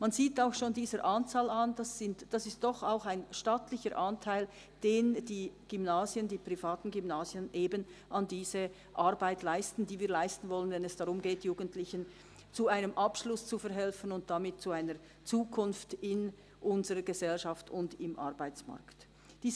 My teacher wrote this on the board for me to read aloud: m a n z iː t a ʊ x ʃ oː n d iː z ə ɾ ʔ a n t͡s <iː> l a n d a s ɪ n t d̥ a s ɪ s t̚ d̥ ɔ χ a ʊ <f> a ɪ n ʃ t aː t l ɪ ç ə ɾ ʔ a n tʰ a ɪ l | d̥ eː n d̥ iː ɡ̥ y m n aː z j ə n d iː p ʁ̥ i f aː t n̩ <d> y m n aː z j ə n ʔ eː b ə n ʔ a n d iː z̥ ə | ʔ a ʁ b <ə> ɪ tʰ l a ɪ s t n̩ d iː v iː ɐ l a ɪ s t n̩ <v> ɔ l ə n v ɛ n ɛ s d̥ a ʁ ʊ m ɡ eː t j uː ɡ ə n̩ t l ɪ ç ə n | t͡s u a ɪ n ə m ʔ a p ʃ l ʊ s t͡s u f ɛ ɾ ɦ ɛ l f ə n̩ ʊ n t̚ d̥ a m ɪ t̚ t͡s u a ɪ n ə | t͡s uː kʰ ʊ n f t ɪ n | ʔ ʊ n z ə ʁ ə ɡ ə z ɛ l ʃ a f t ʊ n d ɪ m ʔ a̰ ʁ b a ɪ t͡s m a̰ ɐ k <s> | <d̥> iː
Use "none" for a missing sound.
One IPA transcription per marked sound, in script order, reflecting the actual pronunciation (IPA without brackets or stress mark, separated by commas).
aː, x, ɡ, a, v, t, d̥